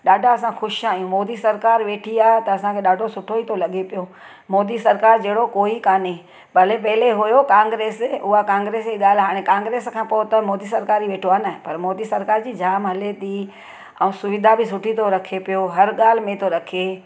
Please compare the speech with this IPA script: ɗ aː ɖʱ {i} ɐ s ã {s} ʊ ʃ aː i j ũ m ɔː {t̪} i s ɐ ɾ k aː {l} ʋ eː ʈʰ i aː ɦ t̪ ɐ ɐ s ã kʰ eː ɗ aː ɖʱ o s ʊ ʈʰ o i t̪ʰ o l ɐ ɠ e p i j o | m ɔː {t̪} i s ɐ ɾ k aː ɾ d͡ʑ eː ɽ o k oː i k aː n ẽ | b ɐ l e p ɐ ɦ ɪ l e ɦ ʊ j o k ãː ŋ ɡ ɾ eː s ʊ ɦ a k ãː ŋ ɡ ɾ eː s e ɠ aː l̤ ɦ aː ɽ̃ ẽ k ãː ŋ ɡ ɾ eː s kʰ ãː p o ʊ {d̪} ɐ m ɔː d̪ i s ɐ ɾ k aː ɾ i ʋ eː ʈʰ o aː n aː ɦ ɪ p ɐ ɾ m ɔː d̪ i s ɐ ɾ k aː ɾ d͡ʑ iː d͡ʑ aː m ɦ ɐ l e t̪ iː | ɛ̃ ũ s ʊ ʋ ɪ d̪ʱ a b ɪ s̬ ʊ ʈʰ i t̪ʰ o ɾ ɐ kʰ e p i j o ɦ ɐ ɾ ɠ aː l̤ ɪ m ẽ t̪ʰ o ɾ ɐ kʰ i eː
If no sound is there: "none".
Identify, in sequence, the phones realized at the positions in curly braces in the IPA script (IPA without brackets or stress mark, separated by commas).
a, x, d̪, ɾ, d̪, t̪